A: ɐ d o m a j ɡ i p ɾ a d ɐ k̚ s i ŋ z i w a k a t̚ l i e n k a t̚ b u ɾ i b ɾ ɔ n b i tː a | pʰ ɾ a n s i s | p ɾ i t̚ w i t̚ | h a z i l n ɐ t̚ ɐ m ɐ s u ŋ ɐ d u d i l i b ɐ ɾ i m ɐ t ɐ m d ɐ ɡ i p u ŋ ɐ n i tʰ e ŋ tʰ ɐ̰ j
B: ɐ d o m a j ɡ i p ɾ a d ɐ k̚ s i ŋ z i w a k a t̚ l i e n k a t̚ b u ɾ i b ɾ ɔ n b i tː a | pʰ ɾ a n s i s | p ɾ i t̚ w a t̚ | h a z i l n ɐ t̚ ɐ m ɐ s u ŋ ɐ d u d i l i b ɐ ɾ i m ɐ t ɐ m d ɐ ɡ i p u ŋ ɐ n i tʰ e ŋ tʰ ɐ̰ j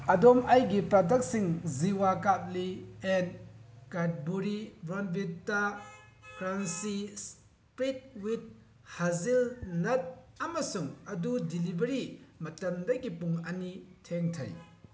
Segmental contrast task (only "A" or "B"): A